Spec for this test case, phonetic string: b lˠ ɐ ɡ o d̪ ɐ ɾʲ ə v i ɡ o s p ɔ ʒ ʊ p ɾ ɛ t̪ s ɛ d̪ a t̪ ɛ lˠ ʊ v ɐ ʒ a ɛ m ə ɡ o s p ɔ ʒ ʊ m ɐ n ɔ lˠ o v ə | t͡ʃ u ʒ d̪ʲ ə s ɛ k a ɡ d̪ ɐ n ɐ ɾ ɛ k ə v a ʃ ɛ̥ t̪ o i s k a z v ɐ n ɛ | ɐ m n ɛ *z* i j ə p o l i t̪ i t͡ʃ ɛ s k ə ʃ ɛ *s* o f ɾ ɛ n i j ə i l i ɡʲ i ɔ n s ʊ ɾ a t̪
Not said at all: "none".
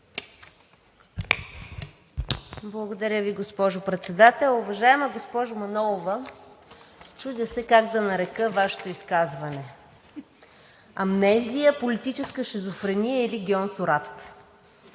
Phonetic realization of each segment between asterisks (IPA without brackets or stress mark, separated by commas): z, z